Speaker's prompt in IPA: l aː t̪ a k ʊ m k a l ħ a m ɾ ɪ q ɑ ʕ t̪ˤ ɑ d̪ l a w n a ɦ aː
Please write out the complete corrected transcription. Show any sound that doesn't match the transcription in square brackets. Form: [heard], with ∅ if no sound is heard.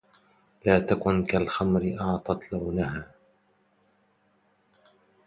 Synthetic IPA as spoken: l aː t̪ a k ʊ [n] k a l [x] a m ɾ ɪ [ʔ] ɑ ʕ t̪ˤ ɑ [t̪] l a w n a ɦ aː